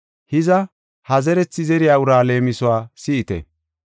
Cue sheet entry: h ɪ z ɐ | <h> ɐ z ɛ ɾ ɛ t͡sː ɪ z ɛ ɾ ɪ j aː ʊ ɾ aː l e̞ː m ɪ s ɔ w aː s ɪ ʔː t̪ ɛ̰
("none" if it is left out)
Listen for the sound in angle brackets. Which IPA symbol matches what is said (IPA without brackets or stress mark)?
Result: h